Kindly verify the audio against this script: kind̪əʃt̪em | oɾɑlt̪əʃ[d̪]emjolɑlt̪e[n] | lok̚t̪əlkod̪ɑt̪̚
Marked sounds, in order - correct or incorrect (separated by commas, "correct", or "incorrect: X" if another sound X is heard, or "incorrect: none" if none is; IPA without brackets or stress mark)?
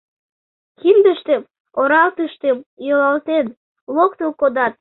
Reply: incorrect: t̪, correct